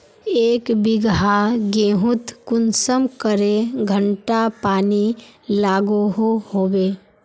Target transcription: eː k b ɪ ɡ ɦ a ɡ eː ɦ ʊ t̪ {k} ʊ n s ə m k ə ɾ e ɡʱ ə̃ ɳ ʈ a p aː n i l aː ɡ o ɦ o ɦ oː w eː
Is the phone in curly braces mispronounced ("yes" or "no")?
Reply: no